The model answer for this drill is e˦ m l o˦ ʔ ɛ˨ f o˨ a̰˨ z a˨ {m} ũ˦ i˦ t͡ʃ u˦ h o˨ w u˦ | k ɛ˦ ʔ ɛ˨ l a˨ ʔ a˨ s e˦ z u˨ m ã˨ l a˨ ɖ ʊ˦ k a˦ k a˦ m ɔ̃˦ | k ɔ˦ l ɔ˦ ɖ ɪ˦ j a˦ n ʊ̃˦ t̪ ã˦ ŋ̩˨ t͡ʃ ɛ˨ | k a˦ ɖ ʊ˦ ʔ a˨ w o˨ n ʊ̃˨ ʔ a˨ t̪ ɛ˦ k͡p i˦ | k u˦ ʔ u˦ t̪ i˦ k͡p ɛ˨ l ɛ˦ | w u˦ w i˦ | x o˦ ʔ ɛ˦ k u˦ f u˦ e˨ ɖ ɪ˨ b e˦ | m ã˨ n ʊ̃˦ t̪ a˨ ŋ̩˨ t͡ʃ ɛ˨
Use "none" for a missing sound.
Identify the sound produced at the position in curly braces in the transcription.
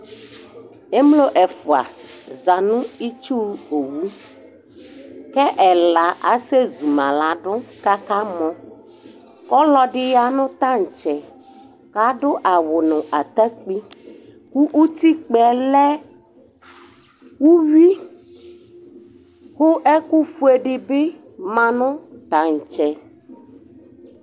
n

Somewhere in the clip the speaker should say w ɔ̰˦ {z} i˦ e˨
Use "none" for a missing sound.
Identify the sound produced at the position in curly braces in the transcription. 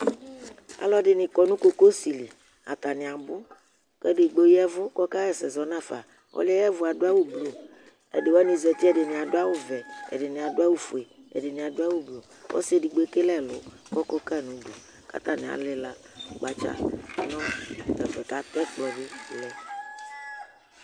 s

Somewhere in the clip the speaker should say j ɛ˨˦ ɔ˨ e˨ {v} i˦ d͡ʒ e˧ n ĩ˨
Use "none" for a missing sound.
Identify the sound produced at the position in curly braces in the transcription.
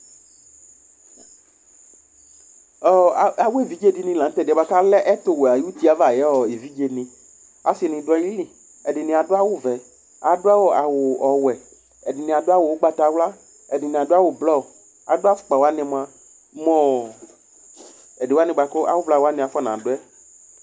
v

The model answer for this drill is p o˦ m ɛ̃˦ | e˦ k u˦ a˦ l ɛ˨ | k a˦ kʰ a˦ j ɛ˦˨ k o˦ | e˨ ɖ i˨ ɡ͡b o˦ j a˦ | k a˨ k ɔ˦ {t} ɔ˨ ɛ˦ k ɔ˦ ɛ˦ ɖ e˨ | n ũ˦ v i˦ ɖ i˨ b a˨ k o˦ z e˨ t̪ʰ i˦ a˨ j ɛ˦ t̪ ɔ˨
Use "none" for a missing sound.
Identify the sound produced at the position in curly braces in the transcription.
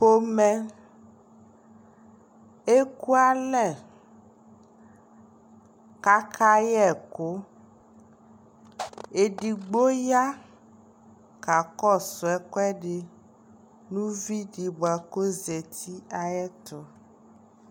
s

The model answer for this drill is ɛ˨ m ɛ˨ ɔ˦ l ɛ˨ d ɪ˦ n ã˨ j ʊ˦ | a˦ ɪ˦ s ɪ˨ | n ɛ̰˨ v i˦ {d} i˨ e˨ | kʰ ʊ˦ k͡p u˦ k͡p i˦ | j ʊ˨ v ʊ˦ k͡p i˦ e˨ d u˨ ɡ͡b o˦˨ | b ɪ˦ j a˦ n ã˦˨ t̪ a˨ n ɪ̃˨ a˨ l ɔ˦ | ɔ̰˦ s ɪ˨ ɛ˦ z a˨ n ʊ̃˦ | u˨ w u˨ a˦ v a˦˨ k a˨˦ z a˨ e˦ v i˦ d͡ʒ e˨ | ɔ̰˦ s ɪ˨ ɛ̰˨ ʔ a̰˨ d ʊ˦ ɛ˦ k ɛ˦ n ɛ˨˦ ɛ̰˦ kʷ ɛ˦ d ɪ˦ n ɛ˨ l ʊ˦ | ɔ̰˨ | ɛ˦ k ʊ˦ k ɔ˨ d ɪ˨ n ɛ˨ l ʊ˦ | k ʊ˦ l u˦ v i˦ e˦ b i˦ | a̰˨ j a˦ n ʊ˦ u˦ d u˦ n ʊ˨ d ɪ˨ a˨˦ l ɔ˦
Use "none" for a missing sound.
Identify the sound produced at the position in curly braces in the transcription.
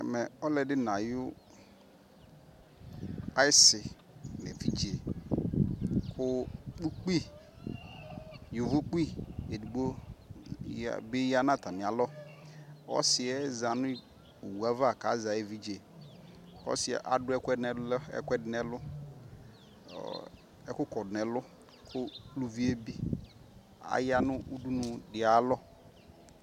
d͡ʒ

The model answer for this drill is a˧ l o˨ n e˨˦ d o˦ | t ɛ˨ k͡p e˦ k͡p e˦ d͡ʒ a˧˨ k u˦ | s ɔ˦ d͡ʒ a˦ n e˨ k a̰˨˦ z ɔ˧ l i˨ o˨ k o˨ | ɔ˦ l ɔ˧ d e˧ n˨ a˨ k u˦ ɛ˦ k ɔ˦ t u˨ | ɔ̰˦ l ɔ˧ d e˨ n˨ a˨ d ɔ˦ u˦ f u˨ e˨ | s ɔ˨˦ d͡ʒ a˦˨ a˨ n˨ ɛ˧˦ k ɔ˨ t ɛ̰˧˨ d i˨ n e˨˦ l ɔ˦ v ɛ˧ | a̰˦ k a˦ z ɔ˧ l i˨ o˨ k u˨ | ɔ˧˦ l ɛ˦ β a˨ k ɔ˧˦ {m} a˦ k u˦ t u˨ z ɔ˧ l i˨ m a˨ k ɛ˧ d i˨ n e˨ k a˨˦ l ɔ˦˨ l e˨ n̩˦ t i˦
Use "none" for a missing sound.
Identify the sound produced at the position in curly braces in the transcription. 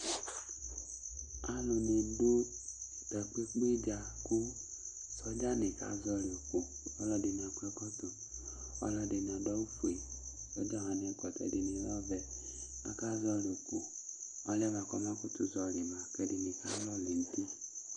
m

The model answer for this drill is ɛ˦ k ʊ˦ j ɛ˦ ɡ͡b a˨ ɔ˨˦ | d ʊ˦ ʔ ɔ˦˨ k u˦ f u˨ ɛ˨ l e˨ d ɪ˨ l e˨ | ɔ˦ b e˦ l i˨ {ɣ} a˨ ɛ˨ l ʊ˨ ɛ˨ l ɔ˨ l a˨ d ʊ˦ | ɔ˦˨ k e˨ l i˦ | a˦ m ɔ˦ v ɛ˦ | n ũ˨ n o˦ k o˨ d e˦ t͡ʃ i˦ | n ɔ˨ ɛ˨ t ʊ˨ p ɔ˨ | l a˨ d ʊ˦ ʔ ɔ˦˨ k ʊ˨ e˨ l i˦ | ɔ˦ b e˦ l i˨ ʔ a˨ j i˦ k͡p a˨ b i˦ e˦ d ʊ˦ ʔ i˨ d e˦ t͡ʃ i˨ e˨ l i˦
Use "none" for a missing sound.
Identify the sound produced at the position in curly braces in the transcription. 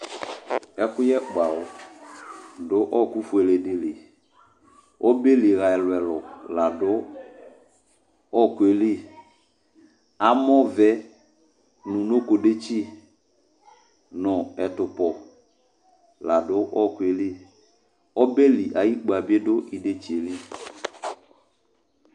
ɣ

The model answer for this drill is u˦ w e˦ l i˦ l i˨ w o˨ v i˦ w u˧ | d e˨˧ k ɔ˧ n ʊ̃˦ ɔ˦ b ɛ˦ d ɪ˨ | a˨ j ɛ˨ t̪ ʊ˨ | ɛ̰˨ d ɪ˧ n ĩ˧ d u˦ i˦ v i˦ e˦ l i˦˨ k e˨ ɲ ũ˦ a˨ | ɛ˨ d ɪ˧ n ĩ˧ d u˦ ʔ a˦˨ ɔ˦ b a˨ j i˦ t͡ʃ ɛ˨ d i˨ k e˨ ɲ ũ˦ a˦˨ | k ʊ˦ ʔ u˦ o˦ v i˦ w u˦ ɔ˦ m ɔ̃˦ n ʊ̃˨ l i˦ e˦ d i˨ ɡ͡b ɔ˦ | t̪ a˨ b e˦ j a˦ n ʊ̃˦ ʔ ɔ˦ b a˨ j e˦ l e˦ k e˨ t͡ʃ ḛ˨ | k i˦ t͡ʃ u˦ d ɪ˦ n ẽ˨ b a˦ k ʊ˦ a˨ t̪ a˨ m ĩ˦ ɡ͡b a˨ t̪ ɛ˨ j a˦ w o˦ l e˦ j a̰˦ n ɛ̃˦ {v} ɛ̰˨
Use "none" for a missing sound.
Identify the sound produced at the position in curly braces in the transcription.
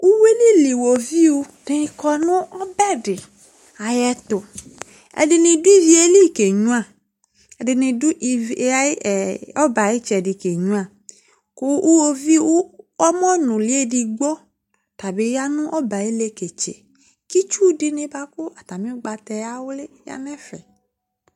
f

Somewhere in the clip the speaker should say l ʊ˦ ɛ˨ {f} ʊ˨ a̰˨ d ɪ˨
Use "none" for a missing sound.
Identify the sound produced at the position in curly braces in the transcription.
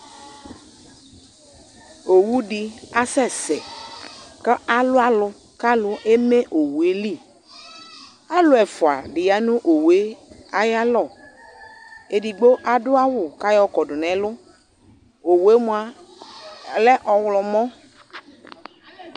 f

